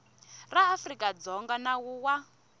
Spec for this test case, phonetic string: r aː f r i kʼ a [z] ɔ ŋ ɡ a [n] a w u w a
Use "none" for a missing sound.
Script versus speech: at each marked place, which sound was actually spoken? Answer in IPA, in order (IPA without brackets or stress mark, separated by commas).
d͡z, n